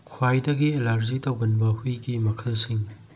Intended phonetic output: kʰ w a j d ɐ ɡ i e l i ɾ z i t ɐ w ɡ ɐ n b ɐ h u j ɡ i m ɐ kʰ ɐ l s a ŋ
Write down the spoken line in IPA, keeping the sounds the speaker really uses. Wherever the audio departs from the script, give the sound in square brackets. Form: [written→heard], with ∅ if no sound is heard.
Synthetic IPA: kʰ w a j d ɐ ɡ i e l [i→a] ɾ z i t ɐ w ɡ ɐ n b ɐ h u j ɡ i m ɐ kʰ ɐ l s [a→i] ŋ